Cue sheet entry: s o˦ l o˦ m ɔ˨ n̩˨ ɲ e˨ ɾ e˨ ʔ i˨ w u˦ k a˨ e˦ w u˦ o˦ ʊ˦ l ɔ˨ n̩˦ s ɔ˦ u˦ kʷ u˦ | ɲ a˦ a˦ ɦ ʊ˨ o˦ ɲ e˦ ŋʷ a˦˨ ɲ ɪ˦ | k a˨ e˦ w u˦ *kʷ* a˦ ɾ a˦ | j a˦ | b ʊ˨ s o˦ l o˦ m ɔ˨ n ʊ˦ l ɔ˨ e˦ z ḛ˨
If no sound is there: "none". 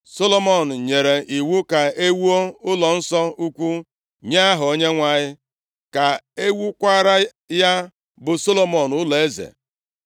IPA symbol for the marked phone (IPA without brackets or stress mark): kʷ